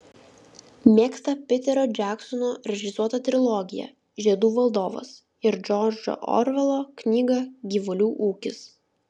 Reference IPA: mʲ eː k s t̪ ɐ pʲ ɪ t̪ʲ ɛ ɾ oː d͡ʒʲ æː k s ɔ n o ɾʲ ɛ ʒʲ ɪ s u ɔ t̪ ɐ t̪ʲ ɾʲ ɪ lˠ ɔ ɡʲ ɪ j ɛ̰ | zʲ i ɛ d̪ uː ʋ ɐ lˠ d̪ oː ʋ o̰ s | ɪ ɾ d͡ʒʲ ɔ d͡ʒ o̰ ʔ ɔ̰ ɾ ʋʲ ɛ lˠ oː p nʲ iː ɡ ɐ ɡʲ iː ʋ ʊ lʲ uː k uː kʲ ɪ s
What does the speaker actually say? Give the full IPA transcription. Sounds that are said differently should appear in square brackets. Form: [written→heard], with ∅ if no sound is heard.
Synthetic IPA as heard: mʲ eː k s t̪ ɐ pʲ ɪ t̪ʲ ɛ ɾ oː d͡ʒʲ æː k s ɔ n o ɾʲ ɛ ʒʲ ɪ s u ɔ t̪ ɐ t̪ʲ ɾʲ ɪ lˠ ɔ ɡʲ ɪ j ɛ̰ | [zʲ→ʒʲ] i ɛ d̪ uː ʋ ɐ lˠ d̪ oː ʋ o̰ s | ɪ ɾ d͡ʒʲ ɔ d͡ʒ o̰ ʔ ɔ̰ ɾ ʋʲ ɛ lˠ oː [p→k] nʲ iː ɡ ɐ ɡʲ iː ʋ ʊ lʲ uː [k→ʔ] uː kʲ ɪ s